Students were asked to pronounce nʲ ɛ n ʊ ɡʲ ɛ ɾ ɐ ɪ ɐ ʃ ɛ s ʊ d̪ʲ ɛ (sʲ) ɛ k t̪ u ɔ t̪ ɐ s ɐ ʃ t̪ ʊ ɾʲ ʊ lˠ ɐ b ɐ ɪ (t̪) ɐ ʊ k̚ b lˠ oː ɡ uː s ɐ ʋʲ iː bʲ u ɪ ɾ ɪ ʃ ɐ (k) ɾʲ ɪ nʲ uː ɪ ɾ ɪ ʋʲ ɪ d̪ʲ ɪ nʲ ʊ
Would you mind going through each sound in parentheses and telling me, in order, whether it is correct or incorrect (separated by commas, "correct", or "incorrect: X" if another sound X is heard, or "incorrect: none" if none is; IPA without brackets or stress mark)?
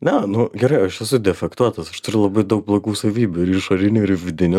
incorrect: fʲ, incorrect: d̪, incorrect: none